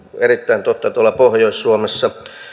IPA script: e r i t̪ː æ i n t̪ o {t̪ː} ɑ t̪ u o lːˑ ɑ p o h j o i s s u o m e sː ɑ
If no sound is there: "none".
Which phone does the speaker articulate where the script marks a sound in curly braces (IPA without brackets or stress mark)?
t̪ː